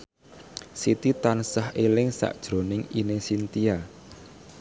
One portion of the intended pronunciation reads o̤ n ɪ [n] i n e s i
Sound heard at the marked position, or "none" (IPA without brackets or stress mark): ŋ